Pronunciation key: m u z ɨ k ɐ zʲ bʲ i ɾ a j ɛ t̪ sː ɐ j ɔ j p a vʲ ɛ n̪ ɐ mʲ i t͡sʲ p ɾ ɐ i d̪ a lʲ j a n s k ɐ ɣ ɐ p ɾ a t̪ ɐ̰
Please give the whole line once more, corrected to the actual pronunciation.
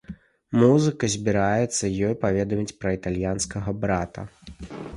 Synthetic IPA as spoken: m u z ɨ k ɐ zʲ bʲ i ɾ a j ɛ t̪ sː ɐ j ɔ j p a vʲ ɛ d̪ ɐ mʲ i t͡sʲ p ɾ ɐ i t̪ a lʲ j a n s k ɐ ɣ ɐ b ɾ a t̪ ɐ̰